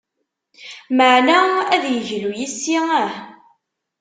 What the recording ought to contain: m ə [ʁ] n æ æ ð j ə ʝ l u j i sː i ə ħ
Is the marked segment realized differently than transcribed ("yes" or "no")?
yes